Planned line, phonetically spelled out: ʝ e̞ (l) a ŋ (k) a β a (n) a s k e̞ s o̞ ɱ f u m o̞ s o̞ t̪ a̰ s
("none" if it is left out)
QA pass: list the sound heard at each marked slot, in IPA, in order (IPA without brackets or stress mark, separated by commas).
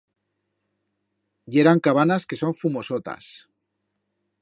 ɾ, k, n